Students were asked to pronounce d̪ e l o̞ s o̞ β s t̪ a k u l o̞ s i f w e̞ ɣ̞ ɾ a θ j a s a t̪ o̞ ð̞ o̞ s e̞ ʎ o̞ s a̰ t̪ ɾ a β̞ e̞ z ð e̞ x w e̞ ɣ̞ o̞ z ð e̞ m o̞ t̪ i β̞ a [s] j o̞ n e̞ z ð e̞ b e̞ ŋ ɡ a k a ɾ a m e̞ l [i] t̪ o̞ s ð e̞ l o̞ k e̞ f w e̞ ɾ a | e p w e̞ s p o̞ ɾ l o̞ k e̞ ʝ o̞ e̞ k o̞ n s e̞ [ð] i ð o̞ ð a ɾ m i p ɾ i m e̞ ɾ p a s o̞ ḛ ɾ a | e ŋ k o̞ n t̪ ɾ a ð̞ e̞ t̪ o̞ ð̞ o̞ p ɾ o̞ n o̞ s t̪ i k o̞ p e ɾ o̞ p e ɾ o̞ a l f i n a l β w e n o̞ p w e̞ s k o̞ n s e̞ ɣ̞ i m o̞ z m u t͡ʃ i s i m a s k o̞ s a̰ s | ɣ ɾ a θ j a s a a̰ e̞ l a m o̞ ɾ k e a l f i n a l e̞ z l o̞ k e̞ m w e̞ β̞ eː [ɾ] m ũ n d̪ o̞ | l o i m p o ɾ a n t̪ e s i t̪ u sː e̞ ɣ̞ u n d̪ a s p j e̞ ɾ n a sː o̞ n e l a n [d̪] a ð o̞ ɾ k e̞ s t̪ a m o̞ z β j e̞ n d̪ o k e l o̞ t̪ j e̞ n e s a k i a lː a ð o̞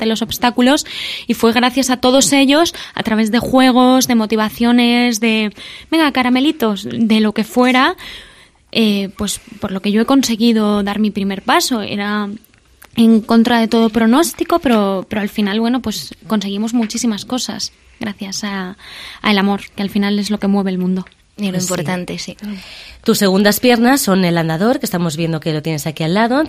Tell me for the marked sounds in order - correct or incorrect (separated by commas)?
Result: incorrect, correct, incorrect, incorrect, correct